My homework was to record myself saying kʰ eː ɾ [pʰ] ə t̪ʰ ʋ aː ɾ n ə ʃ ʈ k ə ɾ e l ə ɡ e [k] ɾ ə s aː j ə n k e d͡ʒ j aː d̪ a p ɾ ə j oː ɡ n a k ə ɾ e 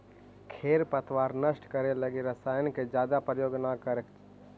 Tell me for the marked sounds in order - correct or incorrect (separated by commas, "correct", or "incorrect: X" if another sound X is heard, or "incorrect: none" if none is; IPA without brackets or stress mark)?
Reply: incorrect: p, incorrect: none